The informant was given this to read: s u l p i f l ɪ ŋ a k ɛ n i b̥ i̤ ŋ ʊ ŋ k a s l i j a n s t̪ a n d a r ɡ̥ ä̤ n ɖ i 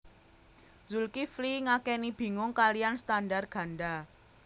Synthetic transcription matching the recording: z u l k i f l i ŋ a k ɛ n i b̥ i̤ ŋ ʊ ŋ k a l i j a n s t̪ a n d a r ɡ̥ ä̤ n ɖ a